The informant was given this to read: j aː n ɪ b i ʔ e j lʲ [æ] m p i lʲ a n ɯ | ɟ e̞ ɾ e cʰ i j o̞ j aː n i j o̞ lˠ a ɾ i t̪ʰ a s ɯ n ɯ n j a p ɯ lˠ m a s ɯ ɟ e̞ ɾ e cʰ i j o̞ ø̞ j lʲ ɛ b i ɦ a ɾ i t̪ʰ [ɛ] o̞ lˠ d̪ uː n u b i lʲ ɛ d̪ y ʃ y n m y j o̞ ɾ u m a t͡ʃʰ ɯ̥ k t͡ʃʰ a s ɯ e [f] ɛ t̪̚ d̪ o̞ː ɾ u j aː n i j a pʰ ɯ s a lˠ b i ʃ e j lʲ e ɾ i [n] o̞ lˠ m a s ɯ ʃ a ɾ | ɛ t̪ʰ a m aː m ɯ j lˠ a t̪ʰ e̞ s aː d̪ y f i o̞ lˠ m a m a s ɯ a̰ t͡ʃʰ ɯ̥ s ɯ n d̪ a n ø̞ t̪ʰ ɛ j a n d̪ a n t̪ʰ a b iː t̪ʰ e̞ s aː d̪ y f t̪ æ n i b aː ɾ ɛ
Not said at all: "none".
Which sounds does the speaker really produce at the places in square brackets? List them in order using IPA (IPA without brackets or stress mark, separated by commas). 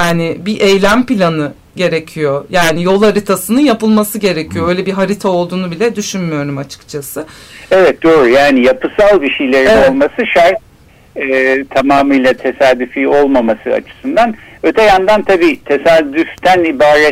æ, a, v, n